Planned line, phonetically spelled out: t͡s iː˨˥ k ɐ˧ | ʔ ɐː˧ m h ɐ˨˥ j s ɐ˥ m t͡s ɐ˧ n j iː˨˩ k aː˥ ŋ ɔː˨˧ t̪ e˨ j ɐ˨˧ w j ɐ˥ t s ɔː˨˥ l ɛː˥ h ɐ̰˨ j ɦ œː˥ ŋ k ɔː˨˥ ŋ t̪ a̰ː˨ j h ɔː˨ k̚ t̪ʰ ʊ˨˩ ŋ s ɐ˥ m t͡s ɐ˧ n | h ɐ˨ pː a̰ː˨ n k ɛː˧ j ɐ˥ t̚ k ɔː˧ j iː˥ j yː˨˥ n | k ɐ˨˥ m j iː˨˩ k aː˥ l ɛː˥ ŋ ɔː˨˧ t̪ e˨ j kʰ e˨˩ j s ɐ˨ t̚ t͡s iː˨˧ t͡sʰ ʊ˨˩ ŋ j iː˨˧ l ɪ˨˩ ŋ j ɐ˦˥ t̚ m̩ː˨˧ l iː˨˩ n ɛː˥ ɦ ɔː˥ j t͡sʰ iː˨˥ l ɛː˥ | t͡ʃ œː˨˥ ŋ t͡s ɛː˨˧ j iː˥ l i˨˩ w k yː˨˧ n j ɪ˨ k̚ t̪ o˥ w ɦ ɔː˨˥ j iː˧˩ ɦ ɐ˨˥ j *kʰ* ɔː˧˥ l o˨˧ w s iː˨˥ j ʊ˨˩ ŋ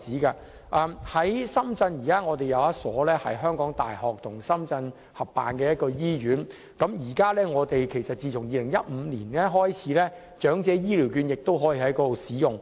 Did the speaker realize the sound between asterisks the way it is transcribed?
no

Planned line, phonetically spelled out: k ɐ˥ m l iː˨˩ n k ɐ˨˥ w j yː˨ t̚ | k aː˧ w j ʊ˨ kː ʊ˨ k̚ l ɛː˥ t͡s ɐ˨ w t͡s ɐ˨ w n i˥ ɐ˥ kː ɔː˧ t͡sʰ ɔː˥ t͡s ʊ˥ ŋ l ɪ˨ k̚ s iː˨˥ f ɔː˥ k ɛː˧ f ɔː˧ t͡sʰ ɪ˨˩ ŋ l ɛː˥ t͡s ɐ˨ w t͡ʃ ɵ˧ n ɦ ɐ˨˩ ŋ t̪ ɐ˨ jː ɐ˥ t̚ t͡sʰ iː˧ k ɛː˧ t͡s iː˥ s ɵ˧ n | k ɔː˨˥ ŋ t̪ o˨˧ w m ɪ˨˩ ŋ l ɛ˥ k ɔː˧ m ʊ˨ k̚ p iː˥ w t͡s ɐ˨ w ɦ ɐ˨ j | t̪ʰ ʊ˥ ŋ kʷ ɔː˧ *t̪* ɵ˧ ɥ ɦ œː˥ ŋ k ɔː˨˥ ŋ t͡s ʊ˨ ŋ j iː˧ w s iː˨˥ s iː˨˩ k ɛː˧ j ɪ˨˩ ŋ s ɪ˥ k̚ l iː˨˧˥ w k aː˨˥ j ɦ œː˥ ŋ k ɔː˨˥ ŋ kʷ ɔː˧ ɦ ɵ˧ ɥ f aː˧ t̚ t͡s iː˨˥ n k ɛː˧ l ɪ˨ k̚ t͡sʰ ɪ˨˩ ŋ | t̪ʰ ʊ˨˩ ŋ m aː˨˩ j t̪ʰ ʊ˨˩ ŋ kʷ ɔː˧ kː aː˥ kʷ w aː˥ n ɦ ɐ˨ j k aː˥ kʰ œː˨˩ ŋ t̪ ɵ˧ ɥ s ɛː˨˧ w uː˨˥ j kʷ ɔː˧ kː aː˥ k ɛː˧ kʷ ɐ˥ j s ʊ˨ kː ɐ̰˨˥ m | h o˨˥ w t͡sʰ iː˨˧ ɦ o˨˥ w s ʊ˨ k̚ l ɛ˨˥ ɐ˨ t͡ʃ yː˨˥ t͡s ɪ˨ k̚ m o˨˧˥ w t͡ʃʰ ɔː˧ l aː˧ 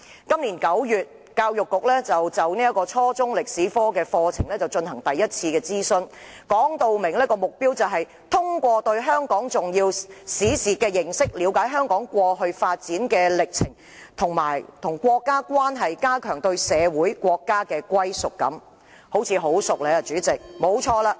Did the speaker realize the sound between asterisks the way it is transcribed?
yes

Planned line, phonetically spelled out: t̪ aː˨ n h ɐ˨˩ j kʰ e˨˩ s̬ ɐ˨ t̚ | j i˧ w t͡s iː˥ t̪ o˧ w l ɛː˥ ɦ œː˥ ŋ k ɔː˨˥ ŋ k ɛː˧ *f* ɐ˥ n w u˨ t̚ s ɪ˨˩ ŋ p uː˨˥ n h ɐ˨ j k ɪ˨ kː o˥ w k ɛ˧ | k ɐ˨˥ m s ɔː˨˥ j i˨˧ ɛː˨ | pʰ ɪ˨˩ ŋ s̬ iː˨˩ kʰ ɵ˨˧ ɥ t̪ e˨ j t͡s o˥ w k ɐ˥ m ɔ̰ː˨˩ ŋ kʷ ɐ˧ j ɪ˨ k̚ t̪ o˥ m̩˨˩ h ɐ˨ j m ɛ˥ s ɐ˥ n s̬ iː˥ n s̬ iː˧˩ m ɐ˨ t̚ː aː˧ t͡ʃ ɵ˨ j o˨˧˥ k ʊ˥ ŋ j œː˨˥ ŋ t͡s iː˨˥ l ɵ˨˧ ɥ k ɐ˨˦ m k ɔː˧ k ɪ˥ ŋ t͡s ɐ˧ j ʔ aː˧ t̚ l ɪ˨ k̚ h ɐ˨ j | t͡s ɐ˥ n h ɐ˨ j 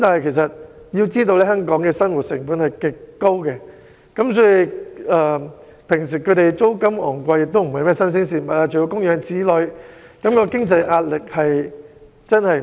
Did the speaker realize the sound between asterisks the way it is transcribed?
no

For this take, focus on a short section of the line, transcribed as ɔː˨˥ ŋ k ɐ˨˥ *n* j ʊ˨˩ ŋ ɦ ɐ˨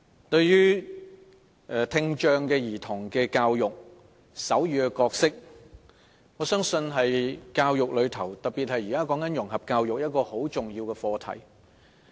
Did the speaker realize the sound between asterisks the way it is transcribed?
yes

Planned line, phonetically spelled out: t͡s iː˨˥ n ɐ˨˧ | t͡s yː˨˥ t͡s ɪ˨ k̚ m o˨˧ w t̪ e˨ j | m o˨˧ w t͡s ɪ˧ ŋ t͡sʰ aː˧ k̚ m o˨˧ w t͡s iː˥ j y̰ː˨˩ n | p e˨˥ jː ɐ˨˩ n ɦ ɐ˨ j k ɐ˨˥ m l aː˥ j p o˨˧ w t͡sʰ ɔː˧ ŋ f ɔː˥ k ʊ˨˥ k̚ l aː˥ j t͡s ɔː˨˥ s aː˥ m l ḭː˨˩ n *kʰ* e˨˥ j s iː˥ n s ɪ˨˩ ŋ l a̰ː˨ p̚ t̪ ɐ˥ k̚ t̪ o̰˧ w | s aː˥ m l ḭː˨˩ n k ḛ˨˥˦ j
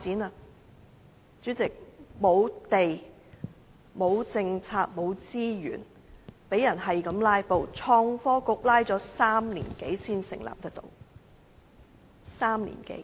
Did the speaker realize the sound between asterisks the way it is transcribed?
no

